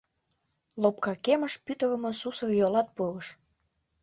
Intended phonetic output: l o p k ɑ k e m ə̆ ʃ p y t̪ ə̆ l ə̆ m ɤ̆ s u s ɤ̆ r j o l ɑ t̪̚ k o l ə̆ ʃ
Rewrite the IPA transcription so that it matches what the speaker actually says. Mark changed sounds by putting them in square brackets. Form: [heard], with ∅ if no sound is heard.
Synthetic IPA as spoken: l o p k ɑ k e m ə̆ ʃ p y t̪ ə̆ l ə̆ m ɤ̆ s u s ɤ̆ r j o l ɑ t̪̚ [p] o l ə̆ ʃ